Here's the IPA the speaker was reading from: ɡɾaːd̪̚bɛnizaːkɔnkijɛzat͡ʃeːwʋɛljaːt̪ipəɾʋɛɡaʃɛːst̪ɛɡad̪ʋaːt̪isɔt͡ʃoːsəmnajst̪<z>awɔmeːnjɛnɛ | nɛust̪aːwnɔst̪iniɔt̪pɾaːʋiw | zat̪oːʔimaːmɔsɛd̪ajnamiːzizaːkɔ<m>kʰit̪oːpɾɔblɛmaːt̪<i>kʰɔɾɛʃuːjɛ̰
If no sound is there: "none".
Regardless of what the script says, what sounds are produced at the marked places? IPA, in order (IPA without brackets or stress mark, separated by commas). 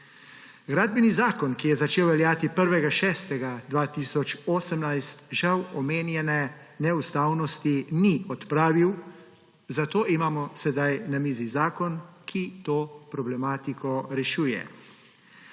ʒ, n, i